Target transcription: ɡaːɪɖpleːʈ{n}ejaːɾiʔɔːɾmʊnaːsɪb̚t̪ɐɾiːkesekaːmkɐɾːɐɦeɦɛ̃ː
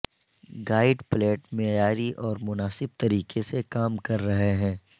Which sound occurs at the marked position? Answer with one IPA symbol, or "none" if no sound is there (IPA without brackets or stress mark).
m